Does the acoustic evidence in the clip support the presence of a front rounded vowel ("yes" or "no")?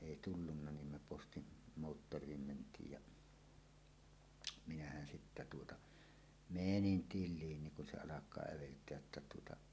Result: no